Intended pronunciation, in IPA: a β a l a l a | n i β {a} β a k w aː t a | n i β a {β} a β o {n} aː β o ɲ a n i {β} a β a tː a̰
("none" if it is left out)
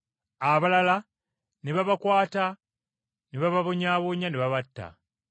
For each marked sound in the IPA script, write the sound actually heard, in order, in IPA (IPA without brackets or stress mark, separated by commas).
a, β, ɲ, β